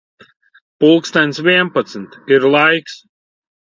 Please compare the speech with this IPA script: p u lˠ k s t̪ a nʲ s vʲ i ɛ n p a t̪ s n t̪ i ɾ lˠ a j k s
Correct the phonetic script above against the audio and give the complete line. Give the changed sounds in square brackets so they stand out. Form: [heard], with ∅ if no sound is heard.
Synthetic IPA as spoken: p u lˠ k s t̪ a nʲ s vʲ i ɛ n p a t̪ s n t̪ i ɾ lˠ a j k s